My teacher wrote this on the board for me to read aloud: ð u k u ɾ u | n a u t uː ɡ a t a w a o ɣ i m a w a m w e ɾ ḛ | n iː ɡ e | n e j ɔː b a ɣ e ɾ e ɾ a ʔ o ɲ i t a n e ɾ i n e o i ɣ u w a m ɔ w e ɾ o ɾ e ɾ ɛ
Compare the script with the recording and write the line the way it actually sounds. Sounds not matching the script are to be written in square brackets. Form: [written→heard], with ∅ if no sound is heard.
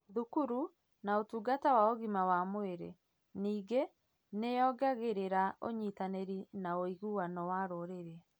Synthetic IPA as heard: ð u k u ɾ u | n a [u→o] t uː ɡ a t a w a o ɣ i m a w a m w e ɾ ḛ | n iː ɡ e | n e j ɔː [b→ɡ] a ɣ e ɾ e ɾ a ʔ o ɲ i t a n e ɾ i n [e→a] o i ɣ u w a [m→n] ɔ w [e→a] ɾ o ɾ e ɾ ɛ